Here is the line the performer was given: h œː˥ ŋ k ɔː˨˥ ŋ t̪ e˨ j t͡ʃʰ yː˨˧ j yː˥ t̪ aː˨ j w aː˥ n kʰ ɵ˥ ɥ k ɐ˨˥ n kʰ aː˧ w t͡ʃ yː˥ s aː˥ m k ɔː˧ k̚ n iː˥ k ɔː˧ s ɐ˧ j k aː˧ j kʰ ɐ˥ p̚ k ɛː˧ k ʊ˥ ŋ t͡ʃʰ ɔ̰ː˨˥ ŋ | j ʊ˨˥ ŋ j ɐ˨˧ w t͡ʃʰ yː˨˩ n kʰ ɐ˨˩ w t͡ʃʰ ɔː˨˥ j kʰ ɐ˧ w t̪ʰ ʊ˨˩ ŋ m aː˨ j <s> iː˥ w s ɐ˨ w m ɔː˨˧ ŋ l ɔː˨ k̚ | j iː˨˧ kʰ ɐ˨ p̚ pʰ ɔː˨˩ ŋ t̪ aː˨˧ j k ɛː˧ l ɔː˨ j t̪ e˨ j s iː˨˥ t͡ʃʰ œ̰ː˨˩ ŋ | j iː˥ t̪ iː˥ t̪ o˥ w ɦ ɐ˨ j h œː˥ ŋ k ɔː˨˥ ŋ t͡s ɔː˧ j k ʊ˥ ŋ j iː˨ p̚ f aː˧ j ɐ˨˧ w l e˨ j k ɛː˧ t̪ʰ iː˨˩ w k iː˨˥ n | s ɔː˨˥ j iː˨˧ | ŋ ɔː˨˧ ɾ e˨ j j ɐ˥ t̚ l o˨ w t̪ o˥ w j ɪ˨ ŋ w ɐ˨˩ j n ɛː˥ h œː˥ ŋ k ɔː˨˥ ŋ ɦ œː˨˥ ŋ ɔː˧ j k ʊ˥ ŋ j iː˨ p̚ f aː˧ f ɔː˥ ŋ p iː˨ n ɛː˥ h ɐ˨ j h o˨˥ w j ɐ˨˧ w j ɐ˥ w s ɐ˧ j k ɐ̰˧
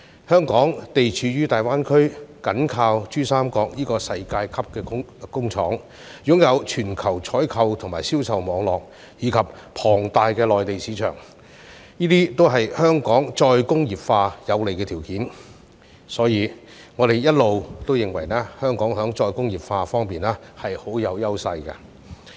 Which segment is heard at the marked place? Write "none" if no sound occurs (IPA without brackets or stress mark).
s